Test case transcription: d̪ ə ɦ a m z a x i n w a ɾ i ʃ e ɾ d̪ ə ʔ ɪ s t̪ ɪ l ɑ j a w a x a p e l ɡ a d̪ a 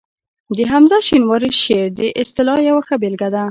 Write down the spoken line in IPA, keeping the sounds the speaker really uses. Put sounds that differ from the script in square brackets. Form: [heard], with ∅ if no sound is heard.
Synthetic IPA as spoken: d̪ ə ɦ a m z a [ʃ] i n w [ɑ] ɾ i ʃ e ɾ d̪ ə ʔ ɪ s t̪ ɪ l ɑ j a w a x a [b] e l ɡ a d̪ a